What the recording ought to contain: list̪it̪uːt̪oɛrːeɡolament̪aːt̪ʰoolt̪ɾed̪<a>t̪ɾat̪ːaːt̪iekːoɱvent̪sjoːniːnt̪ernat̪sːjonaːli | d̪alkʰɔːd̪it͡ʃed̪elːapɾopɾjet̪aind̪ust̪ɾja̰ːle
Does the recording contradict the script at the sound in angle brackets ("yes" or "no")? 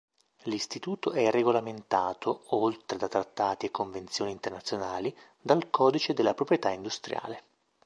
no